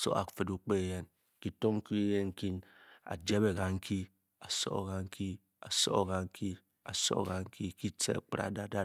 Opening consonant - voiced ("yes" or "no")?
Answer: no